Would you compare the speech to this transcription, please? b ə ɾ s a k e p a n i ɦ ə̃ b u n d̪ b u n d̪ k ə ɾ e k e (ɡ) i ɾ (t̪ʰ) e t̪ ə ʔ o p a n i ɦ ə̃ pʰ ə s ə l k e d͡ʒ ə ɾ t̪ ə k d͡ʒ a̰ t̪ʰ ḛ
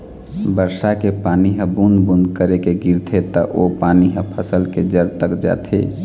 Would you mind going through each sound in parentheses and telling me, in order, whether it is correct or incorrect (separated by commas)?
correct, correct